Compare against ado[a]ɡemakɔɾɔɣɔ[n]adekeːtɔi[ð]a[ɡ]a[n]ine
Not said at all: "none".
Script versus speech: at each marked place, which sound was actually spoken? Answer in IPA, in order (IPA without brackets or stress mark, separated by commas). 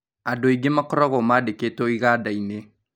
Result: i, m, ɣ, d, none